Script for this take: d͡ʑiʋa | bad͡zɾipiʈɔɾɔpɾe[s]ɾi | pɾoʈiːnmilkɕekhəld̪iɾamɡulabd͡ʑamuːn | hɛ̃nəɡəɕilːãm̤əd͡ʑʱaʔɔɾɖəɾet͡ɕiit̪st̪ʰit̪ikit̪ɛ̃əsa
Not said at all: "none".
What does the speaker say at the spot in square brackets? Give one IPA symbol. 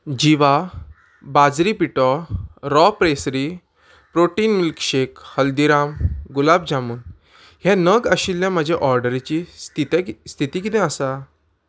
s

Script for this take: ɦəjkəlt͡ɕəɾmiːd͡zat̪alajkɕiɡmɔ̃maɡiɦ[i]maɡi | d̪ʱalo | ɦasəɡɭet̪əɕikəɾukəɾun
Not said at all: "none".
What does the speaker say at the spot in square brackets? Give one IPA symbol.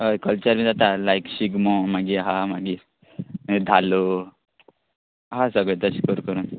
a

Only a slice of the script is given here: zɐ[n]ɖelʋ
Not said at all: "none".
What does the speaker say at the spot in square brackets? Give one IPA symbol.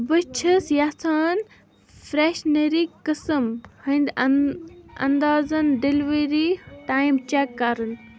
n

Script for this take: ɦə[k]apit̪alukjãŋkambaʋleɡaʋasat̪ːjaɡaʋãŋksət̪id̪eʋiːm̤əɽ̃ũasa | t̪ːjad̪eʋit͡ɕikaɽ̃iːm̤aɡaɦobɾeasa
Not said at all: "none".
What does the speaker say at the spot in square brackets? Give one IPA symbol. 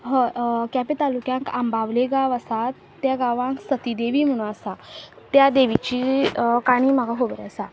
k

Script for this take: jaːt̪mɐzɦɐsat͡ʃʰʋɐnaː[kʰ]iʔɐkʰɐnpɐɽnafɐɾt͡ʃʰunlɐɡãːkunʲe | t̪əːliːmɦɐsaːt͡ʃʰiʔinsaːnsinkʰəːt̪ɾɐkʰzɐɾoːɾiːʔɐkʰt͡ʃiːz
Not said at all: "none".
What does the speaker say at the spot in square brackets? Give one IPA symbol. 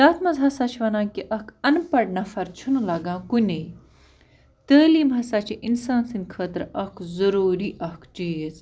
k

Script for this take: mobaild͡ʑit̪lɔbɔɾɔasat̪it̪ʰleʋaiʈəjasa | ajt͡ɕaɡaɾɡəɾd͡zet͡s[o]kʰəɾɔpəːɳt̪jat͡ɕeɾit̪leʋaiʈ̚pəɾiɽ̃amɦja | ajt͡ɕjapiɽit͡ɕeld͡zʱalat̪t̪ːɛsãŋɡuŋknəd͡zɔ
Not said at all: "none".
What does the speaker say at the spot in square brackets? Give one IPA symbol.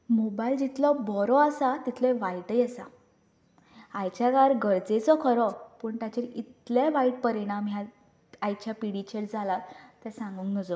ɔ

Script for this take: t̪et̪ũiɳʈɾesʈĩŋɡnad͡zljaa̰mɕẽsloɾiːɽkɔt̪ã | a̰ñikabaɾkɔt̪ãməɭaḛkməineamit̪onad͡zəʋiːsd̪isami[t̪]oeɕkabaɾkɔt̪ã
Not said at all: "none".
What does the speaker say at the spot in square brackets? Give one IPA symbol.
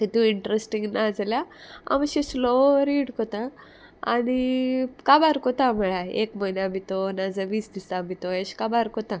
t̪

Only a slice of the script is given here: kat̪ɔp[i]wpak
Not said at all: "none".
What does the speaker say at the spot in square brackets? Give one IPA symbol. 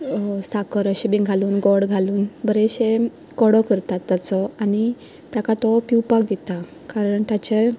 i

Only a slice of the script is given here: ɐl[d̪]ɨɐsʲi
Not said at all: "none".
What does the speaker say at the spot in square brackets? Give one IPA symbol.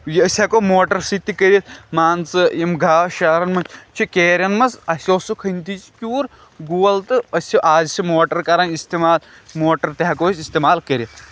t̪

